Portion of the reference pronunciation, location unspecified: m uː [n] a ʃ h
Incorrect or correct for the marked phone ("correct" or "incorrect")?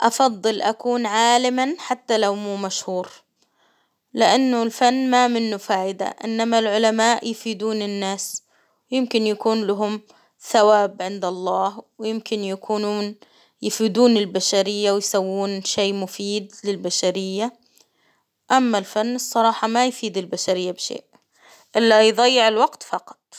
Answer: incorrect